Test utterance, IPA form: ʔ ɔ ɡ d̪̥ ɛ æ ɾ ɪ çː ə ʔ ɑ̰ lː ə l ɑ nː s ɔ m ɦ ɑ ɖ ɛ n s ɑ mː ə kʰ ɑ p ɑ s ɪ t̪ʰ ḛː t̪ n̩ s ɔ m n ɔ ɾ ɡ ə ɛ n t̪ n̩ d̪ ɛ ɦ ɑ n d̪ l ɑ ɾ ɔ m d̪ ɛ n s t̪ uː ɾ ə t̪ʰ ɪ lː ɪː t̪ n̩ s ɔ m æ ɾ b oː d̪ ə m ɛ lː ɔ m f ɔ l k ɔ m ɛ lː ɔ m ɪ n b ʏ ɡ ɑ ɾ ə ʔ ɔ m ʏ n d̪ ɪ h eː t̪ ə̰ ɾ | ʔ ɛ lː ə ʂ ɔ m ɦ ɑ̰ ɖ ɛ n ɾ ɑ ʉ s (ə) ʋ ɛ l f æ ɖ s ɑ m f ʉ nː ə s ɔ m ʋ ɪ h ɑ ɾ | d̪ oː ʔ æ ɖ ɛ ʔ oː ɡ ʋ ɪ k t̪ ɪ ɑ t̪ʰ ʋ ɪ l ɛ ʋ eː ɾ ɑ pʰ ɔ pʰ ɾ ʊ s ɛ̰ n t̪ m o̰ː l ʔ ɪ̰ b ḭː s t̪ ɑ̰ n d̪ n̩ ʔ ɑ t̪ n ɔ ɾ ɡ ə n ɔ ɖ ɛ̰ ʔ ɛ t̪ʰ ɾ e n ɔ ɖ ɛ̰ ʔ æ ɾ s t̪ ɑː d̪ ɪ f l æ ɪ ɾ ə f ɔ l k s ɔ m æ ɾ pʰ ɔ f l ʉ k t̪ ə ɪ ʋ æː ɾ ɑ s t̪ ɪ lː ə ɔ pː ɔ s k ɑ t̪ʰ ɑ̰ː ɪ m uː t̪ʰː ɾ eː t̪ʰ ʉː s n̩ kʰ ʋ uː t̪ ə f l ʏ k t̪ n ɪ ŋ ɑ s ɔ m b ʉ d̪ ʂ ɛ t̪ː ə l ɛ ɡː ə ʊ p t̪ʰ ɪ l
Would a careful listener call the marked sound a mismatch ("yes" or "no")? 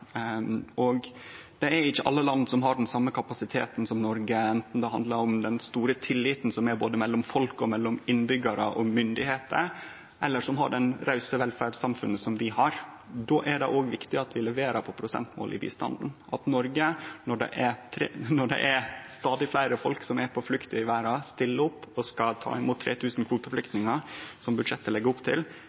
no